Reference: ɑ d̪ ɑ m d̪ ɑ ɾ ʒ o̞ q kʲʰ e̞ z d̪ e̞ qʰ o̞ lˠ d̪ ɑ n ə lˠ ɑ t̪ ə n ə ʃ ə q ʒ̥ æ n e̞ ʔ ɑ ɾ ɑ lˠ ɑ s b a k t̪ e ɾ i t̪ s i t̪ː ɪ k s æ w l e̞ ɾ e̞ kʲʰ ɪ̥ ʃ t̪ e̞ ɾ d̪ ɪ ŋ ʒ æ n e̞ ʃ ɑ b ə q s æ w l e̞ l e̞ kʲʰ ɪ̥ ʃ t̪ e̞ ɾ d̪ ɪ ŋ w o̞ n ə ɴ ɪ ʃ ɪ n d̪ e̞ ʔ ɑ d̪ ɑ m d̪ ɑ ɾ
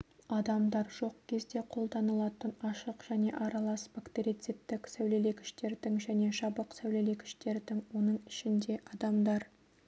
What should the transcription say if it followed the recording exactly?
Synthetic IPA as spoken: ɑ d̪ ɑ m d̪ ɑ ɾ ʒ o̞ q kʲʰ e̞ z d̪ e̞ qʰ o̞ lˠ d̪ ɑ n ə lˠ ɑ t̪ ə n ɑ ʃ ə q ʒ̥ æ n e̞ ʔ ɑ ɾ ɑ lˠ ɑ s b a k t̪ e ɾ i t̪ s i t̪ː ɪ k s æ w l e̞ l e̞ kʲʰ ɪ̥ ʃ t̪ e̞ ɾ d̪ ɪ ŋ ʒ æ n e̞ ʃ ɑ b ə q s æ w l e̞ l e̞ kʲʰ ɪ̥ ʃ t̪ e̞ ɾ d̪ ɪ ŋ w o̞ n ə ɴ ɪ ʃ ɪ n d̪ e̞ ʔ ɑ d̪ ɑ m d̪ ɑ ɾ